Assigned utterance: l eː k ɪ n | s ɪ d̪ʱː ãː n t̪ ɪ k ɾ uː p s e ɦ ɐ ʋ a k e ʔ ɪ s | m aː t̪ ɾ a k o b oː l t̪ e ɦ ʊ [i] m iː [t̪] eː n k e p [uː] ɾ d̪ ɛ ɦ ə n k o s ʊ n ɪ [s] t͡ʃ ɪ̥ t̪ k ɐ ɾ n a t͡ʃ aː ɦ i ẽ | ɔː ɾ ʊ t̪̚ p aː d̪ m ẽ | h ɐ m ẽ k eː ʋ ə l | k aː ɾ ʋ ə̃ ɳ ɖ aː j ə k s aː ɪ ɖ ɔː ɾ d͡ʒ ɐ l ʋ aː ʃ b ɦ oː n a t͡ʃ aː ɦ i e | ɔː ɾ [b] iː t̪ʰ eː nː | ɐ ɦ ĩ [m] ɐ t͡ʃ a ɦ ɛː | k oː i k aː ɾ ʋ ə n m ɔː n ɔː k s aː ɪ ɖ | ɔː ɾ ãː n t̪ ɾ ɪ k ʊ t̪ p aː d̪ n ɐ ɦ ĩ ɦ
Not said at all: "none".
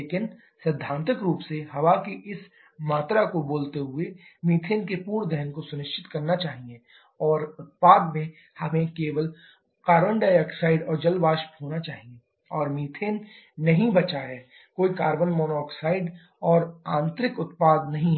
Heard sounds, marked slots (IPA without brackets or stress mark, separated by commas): e, t̪ʰ, uː, ʃ, m, b